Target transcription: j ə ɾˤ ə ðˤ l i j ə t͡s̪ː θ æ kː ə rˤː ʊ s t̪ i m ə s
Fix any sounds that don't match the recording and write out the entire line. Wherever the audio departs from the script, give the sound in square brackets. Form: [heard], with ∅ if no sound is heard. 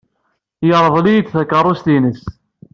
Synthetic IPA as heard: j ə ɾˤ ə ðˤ l i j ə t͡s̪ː θ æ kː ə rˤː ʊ s t̪ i [n] ə s